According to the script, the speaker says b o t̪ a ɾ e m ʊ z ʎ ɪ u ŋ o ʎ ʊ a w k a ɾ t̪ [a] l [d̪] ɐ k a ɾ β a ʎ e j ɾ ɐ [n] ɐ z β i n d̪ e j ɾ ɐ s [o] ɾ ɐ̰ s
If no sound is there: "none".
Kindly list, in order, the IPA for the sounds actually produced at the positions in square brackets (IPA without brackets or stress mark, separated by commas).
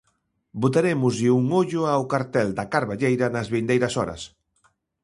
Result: ɛ, d̪, n, ɔ